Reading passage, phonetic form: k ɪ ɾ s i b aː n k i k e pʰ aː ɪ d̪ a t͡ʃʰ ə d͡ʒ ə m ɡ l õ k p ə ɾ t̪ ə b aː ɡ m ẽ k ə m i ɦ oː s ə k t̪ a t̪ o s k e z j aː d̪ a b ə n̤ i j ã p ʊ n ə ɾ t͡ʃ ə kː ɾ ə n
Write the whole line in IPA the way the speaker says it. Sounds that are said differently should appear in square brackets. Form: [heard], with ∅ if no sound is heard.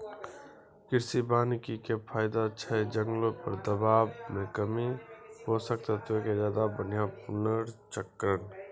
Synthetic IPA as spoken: k ɪ ɾ s i b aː n k i k e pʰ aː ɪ d̪ a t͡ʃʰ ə d͡ʒ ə [ŋ] ɡ l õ [∅] p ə ɾ [d̪] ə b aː [b] m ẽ k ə m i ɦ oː s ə k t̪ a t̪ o [∅] k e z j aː d̪ a b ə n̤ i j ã p ʊ n ə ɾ t͡ʃ ə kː ɾ ə n

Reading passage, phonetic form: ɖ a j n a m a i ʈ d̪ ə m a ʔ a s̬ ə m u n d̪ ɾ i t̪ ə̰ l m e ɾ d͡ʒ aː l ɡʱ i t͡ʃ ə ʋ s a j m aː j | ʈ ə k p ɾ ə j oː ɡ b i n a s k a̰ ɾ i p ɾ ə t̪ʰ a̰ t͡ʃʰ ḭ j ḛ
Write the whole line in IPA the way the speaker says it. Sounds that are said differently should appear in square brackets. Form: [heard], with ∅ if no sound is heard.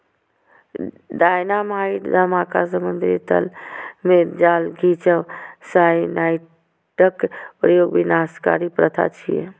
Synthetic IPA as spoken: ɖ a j n a m a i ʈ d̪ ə m a [k] a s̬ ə m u n d̪ ɾ i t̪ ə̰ l m e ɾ d͡ʒ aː l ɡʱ i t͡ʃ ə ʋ s a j [n] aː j | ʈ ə k p ɾ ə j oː ɡ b i n a s k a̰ ɾ i p ɾ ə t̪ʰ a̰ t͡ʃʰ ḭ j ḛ

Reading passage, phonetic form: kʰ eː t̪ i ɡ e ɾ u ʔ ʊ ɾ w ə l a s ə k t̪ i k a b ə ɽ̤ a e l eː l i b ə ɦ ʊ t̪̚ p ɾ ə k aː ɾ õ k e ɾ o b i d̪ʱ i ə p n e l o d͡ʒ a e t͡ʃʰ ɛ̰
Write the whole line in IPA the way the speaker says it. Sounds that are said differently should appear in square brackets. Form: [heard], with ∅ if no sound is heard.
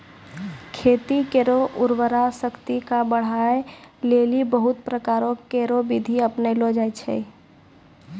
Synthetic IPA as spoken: kʰ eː t̪ i [k] e ɾ [o] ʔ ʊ ɾ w ə [ɾ] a s ə k t̪ i k a b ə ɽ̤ a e l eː l i b ə ɦ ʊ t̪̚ p ɾ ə k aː ɾ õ k e ɾ o b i d̪ʱ i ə p n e l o d͡ʒ a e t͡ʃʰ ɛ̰

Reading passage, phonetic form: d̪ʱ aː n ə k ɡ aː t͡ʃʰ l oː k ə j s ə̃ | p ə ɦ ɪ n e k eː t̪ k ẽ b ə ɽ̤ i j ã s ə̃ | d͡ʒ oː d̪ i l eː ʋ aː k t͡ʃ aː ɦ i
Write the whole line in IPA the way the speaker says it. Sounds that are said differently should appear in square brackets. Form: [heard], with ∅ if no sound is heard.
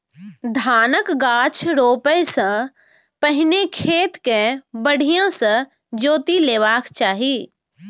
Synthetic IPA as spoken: d̪ʱ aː n ə k ɡ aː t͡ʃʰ [ɾ] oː [p] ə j s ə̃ | p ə ɦ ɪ n e [kʰ] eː t̪ k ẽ b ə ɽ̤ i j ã s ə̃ | d͡ʒ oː [t̪] i l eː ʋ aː k t͡ʃ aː ɦ i

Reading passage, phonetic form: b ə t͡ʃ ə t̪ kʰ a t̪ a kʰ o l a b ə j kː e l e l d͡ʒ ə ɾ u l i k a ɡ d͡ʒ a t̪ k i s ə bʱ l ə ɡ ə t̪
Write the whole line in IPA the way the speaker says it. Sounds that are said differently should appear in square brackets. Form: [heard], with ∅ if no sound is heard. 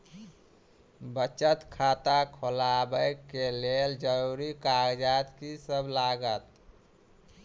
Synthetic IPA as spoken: b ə t͡ʃ ə t̪ kʰ a t̪ a kʰ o l a b ə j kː e l e l d͡ʒ ə ɾ u [ɾ] i k a ɡ d͡ʒ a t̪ k i s ə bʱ l [a] ɡ ə t̪

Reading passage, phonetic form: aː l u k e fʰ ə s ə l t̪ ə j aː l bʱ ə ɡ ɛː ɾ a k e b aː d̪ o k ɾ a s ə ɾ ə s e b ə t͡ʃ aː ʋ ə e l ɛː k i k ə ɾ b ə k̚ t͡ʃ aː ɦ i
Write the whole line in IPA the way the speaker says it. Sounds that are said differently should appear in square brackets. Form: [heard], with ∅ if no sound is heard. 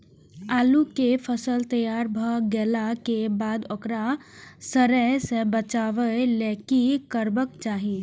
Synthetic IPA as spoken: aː l u k e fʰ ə s ə l t̪ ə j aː [ɾ] bʱ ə ɡ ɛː [l] a k e b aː d̪ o k ɾ a s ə ɾ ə s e b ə t͡ʃ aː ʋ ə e l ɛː k i k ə ɾ b ə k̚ t͡ʃ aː ɦ i

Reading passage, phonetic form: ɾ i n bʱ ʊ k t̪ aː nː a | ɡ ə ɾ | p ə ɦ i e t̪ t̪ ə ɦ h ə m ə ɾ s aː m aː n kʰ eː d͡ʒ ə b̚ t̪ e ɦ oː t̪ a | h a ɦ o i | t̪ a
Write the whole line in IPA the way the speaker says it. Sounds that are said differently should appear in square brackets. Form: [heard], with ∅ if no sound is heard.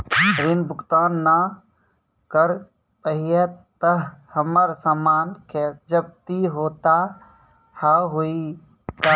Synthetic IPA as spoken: ɾ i n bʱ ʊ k t̪ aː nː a | [k] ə ɾ | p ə ɦ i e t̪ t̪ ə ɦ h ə m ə ɾ s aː m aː n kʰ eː d͡ʒ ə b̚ t̪ [i] ɦ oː t̪ a | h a ɦ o i | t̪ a

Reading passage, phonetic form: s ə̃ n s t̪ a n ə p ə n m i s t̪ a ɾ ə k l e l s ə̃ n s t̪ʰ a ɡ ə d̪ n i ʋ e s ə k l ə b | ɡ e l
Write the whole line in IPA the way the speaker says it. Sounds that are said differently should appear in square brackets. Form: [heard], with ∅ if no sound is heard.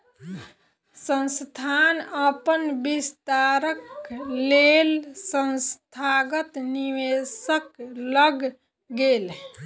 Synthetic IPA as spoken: s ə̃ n s [t̪ʰ] a n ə p ə n [b] i s t̪ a ɾ ə k l e l s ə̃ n s t̪ʰ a ɡ ə [t̪] n i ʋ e s ə k l ə [ɡ] | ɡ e l

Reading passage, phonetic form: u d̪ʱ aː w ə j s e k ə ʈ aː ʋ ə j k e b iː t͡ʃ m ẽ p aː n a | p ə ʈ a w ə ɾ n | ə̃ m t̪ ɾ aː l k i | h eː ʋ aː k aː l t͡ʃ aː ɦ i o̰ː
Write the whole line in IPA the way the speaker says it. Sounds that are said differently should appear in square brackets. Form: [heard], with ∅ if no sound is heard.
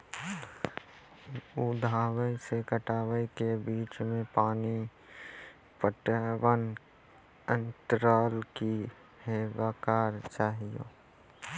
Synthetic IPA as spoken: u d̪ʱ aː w ə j s e k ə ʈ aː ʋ ə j k e b iː t͡ʃ m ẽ p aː n [i] | p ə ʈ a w ə [∅] n | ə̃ [n] t̪ ɾ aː l k i | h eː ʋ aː k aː [ɾ] t͡ʃ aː ɦ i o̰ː

